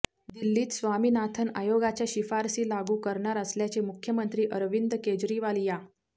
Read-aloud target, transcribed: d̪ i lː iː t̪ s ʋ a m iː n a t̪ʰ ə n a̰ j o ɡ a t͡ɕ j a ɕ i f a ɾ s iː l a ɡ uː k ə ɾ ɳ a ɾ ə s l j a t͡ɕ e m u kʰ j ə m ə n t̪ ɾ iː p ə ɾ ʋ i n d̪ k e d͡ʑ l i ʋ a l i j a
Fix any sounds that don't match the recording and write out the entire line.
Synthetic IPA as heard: d̪ i lː iː t̪ s ʋ a m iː n a t̪ʰ ə n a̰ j o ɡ a t͡ɕ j a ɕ i f a ɾ s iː l a ɡ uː k ə ɾ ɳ a ɾ ə s l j a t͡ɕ e m u kʰ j ə m ə n t̪ ɾ iː ʔ ə ɾ ʋ i n d̪ k e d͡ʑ ɾ i ʋ a l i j a